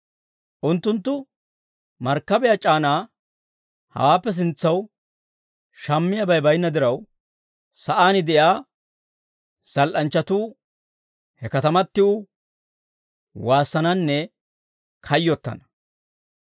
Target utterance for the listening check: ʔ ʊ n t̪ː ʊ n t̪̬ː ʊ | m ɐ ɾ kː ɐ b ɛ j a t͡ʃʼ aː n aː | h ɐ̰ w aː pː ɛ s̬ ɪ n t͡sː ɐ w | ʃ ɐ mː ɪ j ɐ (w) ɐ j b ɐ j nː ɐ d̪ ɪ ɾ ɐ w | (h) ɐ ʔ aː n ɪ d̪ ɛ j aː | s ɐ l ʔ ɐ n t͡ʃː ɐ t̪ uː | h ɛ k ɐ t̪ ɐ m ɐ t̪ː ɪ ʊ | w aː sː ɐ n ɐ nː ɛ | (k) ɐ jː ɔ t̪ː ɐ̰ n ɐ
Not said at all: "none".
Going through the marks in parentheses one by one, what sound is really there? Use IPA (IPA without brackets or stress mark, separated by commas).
b, s, kʰ